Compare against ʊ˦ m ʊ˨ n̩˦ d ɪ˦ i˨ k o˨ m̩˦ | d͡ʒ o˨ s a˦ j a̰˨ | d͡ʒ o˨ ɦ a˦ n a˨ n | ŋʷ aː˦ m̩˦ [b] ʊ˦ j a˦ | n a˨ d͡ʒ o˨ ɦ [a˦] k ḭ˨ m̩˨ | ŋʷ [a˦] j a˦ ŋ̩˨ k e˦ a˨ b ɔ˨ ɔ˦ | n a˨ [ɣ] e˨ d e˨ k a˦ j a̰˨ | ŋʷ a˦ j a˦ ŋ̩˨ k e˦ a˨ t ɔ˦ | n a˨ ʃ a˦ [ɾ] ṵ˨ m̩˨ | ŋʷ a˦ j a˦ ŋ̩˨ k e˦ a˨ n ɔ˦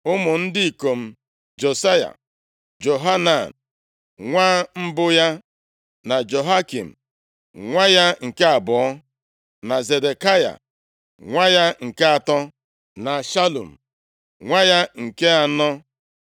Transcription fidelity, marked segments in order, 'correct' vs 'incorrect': correct, correct, correct, incorrect, incorrect

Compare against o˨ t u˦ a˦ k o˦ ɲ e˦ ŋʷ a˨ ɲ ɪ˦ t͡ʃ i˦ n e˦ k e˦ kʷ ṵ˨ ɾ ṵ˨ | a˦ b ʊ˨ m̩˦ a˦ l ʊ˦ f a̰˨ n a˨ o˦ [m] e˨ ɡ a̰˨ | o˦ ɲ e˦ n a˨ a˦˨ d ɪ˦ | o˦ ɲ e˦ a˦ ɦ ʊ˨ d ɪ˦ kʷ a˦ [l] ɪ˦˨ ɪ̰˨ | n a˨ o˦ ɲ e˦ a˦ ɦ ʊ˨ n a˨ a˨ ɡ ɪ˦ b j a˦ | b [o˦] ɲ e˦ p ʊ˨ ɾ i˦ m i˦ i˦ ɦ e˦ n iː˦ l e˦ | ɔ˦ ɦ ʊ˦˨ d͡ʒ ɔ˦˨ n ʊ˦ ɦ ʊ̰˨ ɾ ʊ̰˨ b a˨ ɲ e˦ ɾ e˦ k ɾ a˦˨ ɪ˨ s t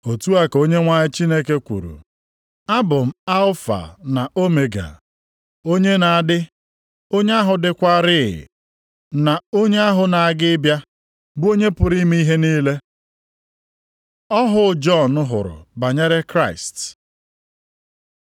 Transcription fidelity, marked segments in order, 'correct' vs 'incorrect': correct, incorrect, correct

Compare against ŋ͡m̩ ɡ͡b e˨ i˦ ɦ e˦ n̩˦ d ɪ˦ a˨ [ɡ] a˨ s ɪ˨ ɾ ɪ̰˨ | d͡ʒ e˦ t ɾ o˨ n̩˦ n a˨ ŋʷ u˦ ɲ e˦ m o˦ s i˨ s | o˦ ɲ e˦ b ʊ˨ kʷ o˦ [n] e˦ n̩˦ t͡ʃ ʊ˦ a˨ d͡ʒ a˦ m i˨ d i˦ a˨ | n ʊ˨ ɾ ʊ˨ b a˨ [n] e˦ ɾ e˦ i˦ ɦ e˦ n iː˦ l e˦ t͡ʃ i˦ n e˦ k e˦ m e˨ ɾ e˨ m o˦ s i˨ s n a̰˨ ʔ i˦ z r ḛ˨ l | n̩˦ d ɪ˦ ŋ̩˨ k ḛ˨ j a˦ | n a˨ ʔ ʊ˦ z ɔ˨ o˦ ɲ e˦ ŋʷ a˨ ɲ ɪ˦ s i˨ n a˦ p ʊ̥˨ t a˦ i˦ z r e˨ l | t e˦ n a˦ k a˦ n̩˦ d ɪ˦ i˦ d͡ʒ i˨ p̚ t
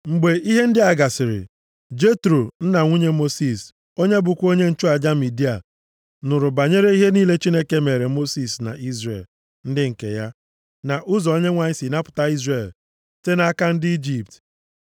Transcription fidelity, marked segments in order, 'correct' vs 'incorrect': correct, incorrect, incorrect

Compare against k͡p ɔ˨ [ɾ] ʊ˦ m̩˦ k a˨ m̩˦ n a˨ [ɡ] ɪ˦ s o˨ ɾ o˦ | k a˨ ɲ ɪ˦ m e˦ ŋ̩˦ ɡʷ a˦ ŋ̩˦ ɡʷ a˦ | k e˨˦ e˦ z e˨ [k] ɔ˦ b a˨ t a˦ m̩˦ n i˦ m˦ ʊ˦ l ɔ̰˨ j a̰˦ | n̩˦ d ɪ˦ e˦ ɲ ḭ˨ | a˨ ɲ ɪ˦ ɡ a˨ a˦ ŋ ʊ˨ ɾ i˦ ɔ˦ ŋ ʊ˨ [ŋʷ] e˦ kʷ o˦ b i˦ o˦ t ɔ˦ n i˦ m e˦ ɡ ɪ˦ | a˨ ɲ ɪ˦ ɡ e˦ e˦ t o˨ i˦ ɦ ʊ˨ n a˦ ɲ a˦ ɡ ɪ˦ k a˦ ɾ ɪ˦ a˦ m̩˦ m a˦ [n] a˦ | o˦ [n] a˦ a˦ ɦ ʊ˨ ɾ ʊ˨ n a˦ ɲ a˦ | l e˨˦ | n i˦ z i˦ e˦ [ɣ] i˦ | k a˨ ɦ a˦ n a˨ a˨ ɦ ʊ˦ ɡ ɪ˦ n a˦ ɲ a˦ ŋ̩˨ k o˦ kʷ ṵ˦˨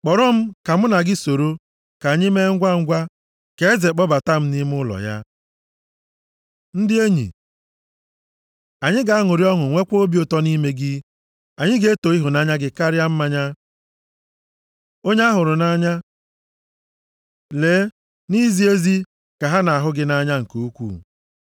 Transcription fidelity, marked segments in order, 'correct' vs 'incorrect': correct, correct, incorrect, correct, incorrect, incorrect, incorrect

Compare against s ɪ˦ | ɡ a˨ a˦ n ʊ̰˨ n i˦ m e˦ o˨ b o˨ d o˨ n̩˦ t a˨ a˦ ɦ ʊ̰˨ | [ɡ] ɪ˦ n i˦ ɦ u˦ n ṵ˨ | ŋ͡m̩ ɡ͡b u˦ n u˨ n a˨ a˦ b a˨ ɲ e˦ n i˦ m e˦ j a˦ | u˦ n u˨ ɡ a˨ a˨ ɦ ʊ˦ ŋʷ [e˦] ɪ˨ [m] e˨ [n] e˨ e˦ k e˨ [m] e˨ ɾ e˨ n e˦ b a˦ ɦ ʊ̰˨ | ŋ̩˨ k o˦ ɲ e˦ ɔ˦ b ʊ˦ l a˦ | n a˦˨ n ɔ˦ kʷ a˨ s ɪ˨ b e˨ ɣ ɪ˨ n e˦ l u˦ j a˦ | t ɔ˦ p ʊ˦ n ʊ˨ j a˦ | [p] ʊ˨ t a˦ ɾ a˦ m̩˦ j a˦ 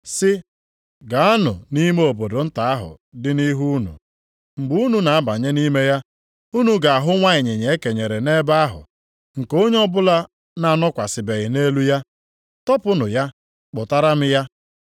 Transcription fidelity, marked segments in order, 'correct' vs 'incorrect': incorrect, incorrect, incorrect, incorrect, incorrect, incorrect

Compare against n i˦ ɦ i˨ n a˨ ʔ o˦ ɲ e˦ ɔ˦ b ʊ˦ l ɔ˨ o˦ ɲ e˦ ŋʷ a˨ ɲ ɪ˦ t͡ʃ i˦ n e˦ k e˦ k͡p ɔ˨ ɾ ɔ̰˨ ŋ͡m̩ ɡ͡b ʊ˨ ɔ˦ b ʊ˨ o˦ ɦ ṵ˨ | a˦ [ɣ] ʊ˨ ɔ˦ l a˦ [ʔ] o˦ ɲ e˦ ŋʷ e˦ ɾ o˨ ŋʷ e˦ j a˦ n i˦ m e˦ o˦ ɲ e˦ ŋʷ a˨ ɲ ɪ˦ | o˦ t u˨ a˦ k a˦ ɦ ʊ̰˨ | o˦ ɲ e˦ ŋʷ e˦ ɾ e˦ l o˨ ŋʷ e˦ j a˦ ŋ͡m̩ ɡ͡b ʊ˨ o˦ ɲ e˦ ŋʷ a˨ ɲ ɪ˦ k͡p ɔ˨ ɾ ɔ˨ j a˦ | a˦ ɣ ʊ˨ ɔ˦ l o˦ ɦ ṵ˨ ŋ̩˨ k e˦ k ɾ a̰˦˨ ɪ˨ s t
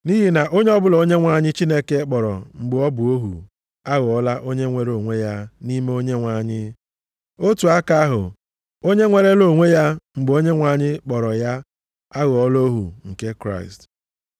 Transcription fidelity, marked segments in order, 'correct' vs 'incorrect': correct, correct

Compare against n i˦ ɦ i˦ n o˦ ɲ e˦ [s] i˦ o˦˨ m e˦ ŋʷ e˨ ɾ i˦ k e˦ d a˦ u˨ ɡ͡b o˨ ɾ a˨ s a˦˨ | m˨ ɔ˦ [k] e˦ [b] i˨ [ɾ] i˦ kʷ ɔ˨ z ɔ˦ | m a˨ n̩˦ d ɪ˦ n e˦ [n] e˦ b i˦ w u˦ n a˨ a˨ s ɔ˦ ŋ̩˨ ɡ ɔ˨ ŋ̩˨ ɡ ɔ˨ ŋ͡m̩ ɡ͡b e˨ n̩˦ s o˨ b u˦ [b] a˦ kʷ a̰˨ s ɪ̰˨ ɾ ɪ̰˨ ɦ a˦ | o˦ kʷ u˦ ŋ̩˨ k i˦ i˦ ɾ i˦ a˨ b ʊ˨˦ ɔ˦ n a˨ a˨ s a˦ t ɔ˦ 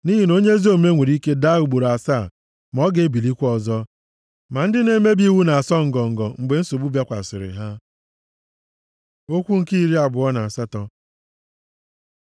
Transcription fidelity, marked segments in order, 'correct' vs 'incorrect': incorrect, incorrect, correct, incorrect, incorrect, correct

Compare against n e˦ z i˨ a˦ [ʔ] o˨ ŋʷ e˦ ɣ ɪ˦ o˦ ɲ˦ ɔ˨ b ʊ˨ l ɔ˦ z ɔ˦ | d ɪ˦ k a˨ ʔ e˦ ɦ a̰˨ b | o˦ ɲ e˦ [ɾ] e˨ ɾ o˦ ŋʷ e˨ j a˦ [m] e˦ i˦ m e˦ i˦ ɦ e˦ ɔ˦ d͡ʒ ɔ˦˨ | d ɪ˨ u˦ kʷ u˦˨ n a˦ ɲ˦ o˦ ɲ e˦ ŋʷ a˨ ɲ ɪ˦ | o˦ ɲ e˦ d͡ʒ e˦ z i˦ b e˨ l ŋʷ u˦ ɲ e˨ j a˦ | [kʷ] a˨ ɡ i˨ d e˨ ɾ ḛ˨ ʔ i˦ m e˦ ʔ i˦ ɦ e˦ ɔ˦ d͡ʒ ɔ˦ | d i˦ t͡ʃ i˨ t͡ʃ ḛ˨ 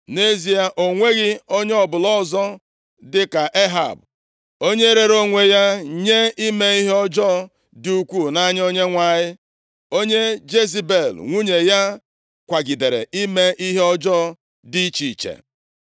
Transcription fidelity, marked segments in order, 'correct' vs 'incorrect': correct, correct, incorrect, correct

